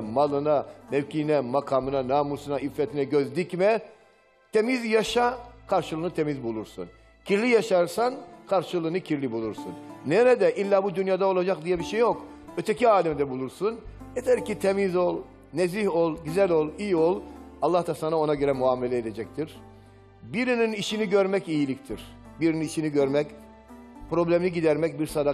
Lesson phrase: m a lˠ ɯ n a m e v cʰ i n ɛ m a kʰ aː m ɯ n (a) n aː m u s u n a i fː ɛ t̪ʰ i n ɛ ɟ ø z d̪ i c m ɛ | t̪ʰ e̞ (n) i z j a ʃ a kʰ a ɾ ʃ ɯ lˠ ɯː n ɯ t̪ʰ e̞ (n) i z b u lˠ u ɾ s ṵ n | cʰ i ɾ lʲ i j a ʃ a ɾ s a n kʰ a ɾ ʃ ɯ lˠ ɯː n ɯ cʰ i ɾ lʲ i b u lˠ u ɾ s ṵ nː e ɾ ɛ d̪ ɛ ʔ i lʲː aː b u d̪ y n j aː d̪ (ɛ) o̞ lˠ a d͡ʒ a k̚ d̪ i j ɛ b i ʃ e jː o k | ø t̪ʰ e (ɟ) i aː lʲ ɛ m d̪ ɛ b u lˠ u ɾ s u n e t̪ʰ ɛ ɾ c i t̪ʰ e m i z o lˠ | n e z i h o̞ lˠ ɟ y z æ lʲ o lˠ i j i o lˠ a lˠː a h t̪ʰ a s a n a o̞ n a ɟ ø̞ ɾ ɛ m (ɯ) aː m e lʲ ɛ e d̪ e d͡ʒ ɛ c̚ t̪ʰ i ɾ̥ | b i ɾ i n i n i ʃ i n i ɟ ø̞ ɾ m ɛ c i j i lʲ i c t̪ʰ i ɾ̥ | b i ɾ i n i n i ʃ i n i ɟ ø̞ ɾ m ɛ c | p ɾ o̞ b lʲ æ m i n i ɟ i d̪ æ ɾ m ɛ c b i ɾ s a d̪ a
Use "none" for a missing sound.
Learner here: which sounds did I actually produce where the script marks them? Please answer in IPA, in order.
a, m, m, a, c, u

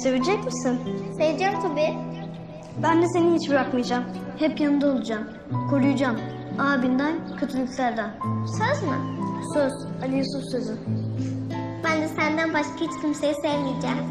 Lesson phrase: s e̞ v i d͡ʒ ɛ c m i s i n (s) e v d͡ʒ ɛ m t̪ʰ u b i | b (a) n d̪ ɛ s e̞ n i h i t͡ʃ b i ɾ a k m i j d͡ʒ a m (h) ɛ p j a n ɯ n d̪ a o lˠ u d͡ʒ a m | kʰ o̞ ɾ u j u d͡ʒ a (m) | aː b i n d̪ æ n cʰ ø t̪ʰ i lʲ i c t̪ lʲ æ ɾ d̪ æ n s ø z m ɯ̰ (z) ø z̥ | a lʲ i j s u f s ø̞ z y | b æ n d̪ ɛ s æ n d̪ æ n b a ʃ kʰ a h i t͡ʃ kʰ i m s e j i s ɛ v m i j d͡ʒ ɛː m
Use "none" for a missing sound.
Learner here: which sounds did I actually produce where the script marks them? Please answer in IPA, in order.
s, æ, h, m, s

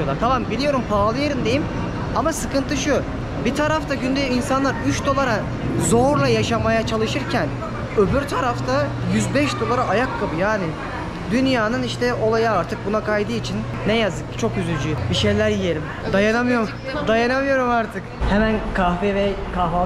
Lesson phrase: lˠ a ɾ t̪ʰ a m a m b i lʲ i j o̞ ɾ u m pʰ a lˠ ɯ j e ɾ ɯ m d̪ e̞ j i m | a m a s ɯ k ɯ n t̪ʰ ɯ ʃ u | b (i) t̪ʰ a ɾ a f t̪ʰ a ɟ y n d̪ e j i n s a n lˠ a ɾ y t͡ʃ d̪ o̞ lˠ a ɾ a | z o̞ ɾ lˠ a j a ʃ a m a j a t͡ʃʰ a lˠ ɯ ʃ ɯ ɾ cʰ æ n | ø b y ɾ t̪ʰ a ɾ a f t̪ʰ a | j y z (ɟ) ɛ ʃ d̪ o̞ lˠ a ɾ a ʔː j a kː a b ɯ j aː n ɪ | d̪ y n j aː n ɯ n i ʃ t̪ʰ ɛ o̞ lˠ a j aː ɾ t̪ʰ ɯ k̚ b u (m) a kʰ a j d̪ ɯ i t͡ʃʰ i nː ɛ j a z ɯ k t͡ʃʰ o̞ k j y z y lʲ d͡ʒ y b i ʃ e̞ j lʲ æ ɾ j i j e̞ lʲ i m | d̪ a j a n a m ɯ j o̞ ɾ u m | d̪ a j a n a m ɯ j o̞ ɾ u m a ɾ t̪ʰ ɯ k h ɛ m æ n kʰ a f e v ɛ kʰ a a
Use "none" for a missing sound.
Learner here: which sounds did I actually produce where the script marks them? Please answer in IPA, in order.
i, b, n

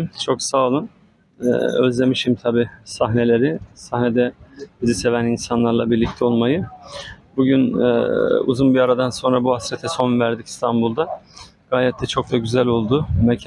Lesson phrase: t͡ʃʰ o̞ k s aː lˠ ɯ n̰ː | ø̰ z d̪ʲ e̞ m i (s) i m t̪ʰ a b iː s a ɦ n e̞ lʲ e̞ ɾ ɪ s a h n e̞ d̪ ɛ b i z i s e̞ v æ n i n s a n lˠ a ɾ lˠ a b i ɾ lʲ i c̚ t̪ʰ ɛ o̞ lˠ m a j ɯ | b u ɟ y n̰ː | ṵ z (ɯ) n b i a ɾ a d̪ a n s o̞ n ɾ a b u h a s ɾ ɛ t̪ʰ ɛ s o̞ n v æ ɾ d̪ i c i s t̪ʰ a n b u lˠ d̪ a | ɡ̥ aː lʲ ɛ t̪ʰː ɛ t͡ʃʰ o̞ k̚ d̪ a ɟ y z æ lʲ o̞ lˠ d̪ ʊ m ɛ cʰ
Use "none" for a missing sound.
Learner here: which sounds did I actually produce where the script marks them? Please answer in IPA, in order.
ʃ, u

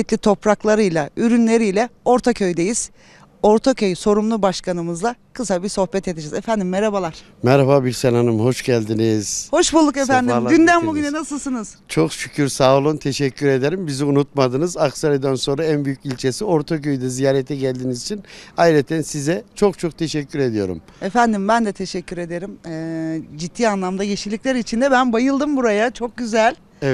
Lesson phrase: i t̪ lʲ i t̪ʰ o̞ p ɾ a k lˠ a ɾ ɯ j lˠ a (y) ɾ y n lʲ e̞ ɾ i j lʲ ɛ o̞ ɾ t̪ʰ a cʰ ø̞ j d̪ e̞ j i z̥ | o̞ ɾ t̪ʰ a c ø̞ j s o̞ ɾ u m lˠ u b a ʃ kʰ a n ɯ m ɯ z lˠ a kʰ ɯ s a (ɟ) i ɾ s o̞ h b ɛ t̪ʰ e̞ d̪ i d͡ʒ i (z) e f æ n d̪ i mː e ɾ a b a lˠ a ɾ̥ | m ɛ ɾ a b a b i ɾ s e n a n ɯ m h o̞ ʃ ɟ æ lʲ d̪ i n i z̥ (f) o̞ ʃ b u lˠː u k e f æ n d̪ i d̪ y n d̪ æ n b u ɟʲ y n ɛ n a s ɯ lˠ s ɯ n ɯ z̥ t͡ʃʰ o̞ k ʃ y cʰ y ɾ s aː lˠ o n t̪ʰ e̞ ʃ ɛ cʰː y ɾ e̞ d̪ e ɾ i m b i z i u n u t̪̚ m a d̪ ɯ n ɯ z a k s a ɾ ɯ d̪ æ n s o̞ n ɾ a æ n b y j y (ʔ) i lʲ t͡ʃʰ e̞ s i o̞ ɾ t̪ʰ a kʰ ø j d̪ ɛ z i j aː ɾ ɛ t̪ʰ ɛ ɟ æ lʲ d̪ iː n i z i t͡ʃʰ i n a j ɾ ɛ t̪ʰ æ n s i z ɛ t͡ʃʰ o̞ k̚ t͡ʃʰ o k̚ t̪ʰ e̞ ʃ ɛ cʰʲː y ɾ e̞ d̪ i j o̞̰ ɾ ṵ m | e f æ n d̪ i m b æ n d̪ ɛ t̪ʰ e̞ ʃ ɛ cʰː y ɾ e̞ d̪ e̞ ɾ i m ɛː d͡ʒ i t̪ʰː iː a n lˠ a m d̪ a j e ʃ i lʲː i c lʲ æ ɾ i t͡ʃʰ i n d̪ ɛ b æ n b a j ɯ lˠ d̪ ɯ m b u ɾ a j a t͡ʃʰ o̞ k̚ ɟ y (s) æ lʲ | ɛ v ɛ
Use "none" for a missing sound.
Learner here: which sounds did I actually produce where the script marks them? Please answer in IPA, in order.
y, b, z, h, c, z

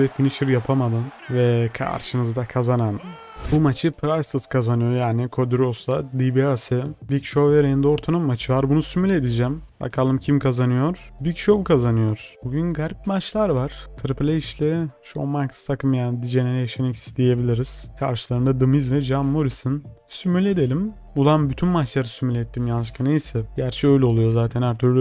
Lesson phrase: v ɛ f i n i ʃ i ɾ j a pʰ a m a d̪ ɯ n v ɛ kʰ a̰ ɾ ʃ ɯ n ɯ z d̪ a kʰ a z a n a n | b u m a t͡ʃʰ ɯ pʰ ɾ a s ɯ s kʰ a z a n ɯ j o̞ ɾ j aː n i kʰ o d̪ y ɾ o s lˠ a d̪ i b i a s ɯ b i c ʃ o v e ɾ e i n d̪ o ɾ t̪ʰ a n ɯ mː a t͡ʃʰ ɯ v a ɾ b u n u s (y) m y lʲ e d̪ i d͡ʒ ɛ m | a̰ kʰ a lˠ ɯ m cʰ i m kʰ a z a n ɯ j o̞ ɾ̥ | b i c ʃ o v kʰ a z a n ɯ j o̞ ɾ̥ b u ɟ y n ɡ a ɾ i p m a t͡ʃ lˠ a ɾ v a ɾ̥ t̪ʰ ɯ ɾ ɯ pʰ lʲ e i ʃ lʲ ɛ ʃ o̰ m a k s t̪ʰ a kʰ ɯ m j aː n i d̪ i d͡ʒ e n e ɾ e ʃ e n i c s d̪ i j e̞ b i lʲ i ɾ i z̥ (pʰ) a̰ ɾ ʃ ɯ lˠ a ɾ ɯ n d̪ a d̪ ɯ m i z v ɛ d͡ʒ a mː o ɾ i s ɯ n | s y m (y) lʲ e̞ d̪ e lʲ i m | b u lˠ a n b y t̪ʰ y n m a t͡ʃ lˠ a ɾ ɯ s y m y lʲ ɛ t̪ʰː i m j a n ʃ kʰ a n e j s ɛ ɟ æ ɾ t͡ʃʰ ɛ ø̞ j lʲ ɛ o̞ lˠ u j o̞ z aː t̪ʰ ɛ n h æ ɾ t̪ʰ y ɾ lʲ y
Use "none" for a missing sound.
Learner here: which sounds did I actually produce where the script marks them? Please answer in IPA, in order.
y, kʰ, y

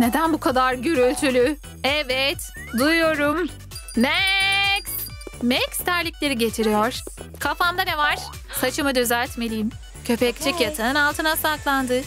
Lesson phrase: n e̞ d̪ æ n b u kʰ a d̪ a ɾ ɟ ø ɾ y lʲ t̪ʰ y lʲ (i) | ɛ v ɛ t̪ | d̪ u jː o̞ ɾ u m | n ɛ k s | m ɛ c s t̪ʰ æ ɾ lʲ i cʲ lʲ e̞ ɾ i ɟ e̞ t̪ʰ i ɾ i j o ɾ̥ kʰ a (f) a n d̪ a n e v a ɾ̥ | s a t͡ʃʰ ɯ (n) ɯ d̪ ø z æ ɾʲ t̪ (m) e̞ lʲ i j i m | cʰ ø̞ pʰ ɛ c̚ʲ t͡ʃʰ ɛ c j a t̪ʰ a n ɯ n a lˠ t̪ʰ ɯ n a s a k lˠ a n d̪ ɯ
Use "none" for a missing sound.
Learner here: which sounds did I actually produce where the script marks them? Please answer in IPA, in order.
y, f, m, m

